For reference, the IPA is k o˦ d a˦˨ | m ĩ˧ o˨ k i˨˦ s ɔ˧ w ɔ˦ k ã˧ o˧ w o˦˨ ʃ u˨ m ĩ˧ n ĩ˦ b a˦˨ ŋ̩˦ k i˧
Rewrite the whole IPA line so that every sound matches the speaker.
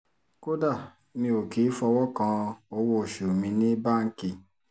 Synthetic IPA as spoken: k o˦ d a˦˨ | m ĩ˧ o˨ k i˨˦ f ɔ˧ w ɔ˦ k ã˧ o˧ w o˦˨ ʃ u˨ m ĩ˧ n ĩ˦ b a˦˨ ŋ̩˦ k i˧